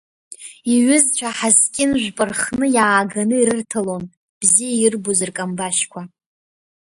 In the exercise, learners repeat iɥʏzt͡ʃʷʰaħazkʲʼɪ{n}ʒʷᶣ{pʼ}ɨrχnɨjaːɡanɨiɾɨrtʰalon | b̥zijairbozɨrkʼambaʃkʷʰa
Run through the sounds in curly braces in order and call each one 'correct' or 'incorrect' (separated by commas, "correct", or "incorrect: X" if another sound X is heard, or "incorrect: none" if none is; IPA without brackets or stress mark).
correct, correct